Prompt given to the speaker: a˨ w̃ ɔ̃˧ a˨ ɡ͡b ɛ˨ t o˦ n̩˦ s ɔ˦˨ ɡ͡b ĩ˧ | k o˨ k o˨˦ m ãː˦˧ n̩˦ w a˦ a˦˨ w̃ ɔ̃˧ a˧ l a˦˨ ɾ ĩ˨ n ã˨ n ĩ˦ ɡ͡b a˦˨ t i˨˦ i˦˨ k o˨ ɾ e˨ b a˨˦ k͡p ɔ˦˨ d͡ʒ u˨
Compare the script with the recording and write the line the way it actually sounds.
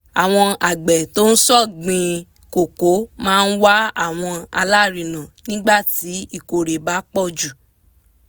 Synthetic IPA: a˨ w̃ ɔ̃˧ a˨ ɡ͡b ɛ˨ t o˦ n̩˦ s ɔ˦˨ ɡ͡b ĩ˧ | k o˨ k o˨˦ m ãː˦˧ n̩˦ w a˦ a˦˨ w̃ ɔ̃˧ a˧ l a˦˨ ɾ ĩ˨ n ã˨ n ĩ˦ ɡ͡b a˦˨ t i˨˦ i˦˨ k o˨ ɾ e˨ b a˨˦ k͡p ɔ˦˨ d͡ʒ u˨